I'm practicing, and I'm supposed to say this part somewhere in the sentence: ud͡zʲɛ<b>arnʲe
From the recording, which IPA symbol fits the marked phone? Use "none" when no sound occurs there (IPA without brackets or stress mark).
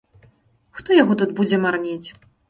m